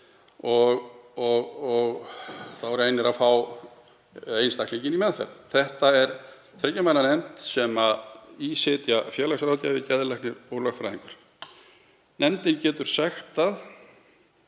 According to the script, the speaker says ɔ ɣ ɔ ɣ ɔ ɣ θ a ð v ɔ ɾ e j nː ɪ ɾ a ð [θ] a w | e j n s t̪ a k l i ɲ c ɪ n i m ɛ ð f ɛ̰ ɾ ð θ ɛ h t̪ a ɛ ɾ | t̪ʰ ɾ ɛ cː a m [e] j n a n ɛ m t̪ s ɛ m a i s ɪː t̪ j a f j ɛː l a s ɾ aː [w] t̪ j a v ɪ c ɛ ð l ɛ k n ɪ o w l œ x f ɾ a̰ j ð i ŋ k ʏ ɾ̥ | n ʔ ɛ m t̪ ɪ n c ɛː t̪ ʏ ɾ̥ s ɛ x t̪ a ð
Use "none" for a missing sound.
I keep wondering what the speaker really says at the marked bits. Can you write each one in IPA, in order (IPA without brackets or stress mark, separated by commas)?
f, a, w